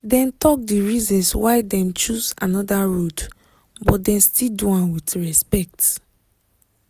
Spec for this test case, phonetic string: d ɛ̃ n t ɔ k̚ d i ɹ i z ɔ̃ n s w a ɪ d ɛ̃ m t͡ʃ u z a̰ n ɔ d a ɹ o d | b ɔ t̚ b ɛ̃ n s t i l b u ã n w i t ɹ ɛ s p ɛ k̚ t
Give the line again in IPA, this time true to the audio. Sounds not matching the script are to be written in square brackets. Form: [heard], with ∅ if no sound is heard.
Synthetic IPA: d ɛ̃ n t ɔ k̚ d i ɹ i z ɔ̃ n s w a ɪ d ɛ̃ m t͡ʃ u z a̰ n ɔ d a ɹ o d | b ɔ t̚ [d] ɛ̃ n s t i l [d] u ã n w i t ɹ ɛ s p ɛ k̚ t